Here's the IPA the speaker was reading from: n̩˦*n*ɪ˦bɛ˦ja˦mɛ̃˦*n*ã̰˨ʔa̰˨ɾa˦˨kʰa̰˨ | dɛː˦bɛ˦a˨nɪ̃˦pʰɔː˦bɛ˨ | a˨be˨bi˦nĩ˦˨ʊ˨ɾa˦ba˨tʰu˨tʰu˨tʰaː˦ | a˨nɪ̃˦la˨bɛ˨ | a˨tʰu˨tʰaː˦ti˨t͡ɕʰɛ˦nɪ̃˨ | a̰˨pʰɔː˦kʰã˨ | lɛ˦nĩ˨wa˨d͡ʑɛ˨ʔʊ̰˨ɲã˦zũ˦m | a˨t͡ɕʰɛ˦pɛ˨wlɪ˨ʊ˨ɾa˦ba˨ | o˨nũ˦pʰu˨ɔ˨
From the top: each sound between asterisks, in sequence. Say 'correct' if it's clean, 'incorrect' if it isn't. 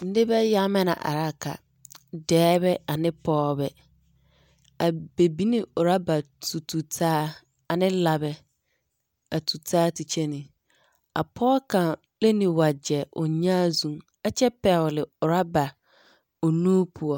incorrect: d, correct

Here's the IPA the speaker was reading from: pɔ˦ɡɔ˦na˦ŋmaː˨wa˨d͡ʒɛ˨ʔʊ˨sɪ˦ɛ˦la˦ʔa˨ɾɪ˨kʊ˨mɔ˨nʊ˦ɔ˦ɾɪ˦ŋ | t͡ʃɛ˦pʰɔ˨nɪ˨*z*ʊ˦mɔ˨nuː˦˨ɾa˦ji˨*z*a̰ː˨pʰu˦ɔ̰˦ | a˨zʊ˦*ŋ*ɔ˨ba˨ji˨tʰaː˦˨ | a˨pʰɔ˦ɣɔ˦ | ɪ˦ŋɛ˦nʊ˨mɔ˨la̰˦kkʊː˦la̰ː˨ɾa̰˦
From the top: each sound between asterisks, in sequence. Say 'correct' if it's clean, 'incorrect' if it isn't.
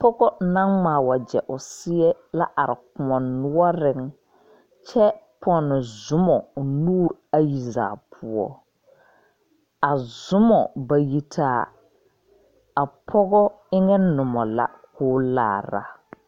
correct, correct, incorrect: m

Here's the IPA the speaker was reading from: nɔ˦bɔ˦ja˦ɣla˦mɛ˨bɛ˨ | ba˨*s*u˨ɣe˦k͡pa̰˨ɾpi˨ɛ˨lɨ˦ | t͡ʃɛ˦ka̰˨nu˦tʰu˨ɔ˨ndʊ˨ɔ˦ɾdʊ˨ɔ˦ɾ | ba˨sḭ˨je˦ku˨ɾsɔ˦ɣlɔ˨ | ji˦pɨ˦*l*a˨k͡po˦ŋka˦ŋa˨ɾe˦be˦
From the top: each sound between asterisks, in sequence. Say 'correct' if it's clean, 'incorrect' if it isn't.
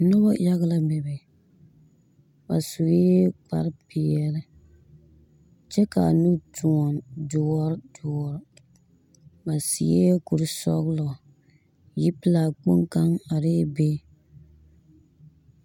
correct, correct

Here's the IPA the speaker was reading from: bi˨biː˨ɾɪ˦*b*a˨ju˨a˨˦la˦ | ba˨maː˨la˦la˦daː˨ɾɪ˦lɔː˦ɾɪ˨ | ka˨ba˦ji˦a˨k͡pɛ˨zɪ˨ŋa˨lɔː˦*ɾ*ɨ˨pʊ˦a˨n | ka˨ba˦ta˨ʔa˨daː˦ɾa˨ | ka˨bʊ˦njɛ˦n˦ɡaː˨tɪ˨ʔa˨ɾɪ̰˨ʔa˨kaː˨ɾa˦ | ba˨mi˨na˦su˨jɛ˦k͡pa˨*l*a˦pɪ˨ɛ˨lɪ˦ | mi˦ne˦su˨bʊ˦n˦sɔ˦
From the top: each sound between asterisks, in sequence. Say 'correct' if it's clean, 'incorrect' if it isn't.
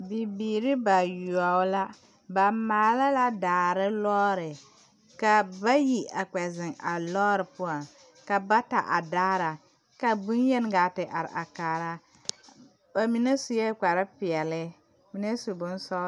correct, correct, incorrect: ɾ

